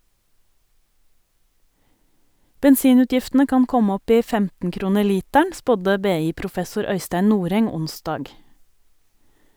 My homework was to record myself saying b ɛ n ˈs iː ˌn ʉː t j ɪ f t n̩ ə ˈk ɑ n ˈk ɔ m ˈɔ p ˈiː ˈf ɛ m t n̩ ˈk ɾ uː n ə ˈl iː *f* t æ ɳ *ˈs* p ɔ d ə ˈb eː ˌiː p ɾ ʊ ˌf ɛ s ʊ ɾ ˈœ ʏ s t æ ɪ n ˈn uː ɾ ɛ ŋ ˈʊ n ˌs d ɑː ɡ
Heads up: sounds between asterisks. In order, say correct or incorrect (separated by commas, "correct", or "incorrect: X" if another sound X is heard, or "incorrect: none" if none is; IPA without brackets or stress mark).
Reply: incorrect: none, correct